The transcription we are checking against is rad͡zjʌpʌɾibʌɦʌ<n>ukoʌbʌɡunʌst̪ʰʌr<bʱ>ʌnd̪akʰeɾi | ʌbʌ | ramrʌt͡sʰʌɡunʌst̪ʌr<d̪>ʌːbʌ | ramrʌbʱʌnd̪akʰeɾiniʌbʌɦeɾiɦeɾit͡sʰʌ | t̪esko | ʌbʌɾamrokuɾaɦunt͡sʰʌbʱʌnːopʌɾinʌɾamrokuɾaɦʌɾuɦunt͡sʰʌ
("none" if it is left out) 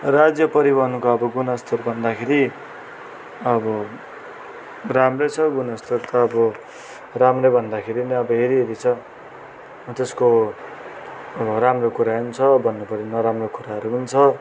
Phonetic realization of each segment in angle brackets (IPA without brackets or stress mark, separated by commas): n, bʱ, t̪